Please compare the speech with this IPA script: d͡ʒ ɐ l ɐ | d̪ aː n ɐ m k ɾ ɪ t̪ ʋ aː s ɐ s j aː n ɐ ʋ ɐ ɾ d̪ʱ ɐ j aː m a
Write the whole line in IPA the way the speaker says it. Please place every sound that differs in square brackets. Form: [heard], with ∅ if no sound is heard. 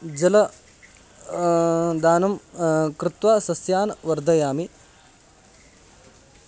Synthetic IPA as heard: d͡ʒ ɐ l ɐ | d̪ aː n ɐ m k ɾ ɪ t̪ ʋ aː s ɐ s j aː n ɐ ʋ ɐ ɾ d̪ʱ ɐ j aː m [i]